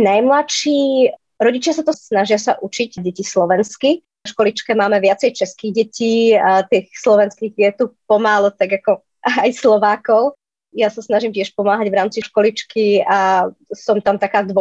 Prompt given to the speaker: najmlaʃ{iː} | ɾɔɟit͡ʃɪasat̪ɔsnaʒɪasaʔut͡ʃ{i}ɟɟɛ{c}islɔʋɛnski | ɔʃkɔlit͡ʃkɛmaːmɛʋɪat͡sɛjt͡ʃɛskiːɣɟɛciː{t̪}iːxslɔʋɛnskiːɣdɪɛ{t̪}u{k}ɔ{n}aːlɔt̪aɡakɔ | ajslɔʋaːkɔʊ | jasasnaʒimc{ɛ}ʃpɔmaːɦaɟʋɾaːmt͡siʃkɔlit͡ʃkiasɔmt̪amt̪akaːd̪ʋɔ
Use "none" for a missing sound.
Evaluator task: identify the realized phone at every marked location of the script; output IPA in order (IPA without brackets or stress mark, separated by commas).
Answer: iː, i, c, t̪, t̪, p, m, ɛ